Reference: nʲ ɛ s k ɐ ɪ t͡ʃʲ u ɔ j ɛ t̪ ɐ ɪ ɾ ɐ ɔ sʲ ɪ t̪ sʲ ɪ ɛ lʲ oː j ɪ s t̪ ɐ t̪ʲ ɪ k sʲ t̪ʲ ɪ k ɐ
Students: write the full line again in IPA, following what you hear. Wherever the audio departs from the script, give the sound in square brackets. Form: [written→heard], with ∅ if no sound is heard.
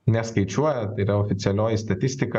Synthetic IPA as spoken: nʲ ɛ s k ɐ ɪ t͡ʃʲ u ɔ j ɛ t̪ ɐ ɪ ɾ ɐ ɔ [sʲ→fʲ] ɪ t̪ sʲ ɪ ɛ lʲ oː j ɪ s t̪ ɐ t̪ʲ ɪ [k→∅] sʲ t̪ʲ ɪ k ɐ